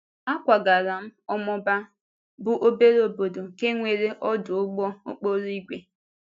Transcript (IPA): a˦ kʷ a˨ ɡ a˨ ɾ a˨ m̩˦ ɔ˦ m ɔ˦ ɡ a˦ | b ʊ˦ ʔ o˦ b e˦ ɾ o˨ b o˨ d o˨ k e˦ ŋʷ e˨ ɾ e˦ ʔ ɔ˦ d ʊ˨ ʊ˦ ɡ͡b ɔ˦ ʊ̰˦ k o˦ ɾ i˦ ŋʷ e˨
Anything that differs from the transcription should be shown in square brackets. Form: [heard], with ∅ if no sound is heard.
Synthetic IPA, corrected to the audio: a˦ kʷ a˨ ɡ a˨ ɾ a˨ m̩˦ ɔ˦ m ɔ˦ [b] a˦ | b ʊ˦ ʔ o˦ b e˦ ɾ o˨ b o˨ d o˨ k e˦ ŋʷ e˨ ɾ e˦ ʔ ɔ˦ d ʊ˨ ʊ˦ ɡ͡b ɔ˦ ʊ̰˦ [k͡p] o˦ ɾ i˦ [ɡʷ] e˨